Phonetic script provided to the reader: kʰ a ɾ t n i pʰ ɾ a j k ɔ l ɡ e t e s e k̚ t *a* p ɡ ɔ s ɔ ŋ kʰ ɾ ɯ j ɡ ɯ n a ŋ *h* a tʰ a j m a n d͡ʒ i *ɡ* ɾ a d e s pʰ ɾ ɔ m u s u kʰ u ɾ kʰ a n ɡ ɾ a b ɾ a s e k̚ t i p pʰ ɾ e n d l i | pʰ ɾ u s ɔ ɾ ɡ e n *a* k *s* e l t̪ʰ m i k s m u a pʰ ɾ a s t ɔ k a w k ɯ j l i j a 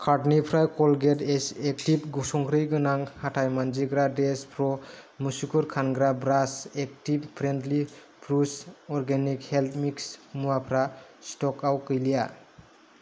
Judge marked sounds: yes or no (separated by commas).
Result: no, yes, yes, no, no